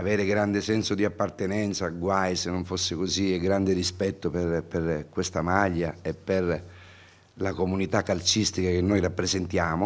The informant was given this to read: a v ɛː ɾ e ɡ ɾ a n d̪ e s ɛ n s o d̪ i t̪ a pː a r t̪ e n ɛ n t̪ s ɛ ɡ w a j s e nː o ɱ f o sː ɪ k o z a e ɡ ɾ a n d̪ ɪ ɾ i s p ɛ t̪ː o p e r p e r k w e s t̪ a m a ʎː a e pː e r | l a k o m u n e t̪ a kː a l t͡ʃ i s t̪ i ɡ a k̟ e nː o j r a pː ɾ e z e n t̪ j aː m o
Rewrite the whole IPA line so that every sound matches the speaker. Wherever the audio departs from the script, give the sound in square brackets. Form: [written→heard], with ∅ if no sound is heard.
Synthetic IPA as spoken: a v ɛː ɾ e ɡ ɾ a n d̪ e s ɛ n s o d̪ i [t̪→∅] a pː a r t̪ e n ɛ n t̪ s [ɛ→a] ɡ w a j s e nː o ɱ f o sː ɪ k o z [a→i] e ɡ ɾ a n d̪ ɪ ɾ i s p ɛ t̪ː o p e r p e r k w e s t̪ a m a ʎː a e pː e r | l a k o m u n [e→i] t̪ a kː a l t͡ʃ i s t̪ i [ɡ→k] a k̟ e nː o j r a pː ɾ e z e n t̪ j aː m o